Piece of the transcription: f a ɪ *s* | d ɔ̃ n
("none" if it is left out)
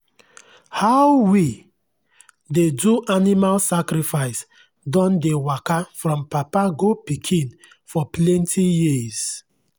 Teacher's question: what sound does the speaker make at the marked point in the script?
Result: s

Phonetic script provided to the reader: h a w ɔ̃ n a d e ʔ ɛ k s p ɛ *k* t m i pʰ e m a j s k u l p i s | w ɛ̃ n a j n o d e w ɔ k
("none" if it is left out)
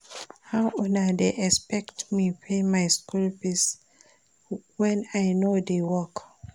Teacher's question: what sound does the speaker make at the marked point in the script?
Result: k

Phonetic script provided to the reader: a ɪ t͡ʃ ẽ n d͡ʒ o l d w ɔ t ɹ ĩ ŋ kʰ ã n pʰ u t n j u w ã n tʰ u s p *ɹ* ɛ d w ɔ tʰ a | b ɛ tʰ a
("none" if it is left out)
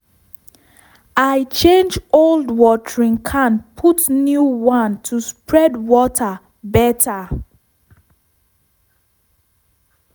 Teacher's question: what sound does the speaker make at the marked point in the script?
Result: ɹ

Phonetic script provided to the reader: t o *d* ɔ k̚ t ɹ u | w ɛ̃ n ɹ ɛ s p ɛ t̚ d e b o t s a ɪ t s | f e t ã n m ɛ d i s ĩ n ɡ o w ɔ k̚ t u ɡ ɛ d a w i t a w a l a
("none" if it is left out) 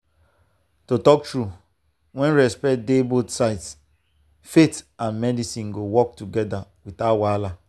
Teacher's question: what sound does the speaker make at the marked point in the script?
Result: t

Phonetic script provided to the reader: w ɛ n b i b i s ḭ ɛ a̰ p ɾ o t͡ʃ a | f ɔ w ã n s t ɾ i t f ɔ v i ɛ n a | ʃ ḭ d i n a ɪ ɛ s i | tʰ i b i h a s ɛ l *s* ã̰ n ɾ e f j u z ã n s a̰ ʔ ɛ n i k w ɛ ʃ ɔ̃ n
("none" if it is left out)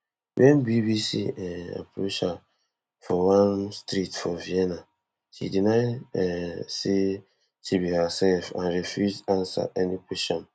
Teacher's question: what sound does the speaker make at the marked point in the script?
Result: f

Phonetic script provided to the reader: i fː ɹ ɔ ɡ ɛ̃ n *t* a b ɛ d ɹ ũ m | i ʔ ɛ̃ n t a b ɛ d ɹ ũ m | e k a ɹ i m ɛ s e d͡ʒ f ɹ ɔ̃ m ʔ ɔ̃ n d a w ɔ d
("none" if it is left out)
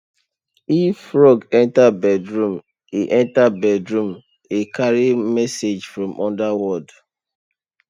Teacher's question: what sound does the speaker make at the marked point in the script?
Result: t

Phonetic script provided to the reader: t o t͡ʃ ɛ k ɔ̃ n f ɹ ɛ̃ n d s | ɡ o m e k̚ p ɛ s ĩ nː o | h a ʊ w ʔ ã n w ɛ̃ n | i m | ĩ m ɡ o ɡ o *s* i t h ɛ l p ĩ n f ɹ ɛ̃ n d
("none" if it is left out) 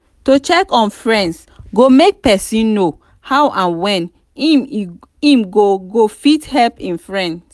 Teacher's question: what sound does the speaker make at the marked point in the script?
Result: f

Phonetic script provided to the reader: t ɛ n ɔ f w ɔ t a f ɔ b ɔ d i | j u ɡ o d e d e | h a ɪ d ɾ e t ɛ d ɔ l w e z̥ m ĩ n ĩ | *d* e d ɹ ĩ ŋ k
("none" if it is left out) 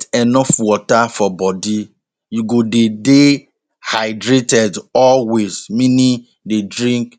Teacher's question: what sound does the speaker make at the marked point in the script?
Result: d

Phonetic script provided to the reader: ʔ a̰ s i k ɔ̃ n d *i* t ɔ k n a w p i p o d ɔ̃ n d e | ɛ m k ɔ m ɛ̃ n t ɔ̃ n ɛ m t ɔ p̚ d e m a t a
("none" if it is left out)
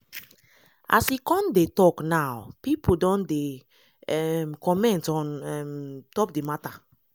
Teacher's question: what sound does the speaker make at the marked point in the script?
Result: e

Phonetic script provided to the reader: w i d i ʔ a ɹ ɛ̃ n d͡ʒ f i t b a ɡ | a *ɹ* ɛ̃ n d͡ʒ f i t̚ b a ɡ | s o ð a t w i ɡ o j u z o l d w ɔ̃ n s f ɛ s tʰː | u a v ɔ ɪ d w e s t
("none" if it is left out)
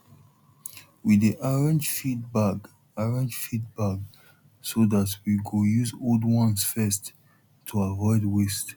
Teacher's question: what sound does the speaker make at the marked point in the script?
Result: ɹ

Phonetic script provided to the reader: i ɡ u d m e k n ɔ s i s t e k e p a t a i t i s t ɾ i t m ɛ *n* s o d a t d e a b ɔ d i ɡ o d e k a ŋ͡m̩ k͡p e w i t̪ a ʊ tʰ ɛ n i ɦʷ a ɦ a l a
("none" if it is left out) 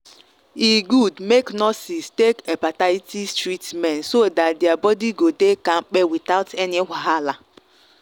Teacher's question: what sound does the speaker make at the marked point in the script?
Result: n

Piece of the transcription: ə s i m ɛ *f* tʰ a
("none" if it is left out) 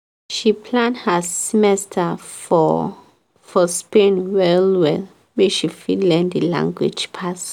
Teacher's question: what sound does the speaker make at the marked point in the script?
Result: s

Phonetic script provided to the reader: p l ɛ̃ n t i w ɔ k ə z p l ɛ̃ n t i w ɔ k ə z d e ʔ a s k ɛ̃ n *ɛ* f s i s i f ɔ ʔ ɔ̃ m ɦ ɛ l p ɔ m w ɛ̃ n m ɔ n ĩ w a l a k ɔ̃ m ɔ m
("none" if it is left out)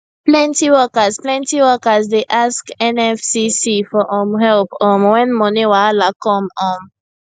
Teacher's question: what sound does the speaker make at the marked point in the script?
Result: ɛ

